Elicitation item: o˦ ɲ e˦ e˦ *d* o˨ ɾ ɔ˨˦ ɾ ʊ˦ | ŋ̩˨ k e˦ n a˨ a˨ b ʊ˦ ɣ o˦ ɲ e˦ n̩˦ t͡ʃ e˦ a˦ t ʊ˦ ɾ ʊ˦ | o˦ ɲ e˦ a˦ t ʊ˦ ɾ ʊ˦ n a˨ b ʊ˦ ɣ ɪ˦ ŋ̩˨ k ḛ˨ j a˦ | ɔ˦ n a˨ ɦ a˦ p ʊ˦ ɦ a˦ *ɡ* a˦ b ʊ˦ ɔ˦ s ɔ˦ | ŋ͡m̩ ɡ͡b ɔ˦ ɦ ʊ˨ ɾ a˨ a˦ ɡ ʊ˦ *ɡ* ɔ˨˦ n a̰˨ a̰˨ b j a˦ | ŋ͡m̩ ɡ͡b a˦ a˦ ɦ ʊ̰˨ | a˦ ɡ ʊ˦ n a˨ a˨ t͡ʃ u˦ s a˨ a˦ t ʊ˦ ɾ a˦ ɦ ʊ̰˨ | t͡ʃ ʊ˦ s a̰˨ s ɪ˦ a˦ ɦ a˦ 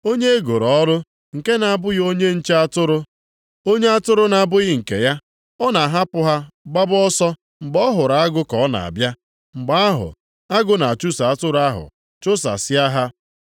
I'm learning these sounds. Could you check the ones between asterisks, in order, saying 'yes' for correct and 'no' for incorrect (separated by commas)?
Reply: no, no, no